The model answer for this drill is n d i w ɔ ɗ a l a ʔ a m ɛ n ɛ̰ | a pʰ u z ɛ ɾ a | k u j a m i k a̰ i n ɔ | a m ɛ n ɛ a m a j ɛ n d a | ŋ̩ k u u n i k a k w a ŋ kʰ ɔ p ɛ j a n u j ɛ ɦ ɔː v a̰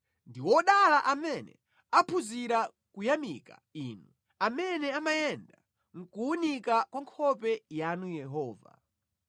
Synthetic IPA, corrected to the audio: n d i w ɔ ɗ a l a ʔ a m ɛ n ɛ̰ | a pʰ u z i ɾ a | k u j a m i k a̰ i n u | a m ɛ n ɛ a m a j ɛ n d a | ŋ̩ k u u n i k a k w a ŋ kʰ ɔ p ɛ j a n u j ɛ ɦ ɔː v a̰